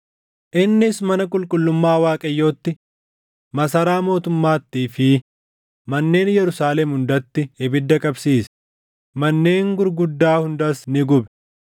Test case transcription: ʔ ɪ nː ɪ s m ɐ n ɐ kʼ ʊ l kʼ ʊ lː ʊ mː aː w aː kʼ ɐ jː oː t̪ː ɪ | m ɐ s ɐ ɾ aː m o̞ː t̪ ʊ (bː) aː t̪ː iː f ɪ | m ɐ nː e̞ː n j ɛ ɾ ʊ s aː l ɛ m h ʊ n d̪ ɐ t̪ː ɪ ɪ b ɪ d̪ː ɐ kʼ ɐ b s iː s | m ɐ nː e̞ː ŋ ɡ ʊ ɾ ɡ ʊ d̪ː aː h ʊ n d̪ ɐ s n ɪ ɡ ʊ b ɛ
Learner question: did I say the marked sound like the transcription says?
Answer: no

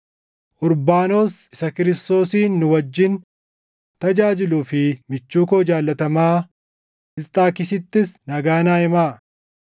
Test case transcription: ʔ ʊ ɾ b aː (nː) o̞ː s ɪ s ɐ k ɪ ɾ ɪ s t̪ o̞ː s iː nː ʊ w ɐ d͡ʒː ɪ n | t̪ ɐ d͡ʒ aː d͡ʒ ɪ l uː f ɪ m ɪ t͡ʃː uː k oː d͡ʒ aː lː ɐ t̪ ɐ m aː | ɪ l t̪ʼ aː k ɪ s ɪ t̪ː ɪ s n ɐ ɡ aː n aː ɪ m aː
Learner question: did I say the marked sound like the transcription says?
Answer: no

